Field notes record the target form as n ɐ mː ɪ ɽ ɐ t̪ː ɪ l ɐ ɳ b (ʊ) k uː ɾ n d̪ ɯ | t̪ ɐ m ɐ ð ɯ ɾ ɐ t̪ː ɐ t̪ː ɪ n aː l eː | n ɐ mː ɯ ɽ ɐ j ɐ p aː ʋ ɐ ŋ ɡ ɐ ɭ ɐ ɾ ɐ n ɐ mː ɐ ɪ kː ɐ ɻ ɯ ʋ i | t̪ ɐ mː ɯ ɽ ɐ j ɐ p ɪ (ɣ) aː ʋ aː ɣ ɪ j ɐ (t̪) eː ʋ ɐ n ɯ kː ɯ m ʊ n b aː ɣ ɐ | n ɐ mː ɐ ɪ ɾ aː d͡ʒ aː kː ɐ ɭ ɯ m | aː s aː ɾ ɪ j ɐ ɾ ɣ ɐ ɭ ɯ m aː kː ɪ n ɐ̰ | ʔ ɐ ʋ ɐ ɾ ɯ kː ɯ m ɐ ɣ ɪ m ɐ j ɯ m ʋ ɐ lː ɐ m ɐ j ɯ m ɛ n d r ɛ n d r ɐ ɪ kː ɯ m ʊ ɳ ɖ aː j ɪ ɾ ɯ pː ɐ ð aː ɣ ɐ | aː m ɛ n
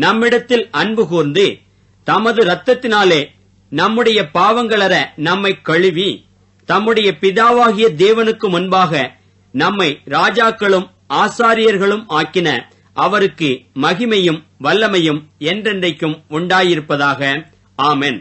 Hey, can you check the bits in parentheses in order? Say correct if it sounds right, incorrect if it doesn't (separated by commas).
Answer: incorrect, incorrect, incorrect